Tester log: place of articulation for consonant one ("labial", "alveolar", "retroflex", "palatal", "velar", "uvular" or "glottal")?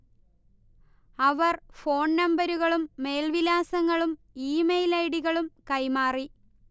labial